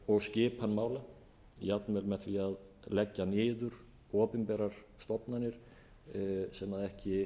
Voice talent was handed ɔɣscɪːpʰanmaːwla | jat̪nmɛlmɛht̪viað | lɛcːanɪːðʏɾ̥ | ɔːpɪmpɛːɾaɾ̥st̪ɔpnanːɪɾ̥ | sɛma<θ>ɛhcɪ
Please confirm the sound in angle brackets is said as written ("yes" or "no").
no